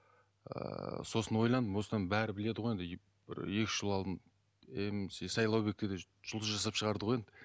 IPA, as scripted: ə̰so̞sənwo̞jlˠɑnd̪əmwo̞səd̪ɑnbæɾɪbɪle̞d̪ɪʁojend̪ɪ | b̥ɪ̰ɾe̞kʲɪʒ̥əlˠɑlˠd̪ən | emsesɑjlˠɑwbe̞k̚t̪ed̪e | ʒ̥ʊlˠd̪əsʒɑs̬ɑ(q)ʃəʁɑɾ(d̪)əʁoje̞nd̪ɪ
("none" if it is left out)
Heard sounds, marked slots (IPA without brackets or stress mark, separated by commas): p, d̪